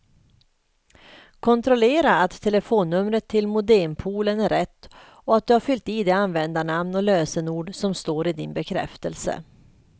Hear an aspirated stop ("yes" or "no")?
yes